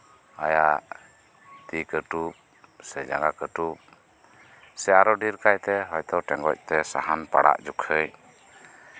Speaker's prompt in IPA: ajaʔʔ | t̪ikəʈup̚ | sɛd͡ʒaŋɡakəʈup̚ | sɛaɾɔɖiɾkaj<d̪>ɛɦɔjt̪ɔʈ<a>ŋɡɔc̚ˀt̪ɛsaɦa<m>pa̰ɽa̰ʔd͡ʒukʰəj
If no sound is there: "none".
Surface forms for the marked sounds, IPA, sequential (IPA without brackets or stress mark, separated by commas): t̪, ɛ, n